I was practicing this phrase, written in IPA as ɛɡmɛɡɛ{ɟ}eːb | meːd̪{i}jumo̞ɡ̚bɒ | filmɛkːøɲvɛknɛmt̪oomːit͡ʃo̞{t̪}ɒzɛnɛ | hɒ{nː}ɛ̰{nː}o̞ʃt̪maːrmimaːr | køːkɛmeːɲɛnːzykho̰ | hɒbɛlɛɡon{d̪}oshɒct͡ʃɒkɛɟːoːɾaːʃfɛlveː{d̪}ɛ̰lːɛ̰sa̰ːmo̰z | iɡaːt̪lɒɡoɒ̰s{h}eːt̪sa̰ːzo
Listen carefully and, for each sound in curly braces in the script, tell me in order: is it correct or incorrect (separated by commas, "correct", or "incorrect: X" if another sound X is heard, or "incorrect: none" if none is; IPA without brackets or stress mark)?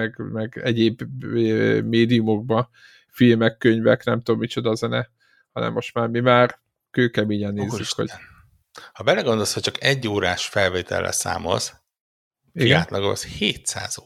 correct, correct, incorrect: d̪, incorrect: n, incorrect: mː, correct, incorrect: t̪, correct